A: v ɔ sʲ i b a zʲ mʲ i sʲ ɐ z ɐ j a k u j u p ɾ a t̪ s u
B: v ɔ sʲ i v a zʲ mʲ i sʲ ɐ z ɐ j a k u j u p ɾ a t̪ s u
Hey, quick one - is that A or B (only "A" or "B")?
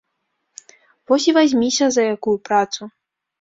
B